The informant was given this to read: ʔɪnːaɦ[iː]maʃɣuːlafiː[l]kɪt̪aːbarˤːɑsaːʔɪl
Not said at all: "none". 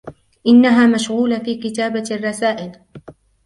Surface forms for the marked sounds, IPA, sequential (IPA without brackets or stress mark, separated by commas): aː, none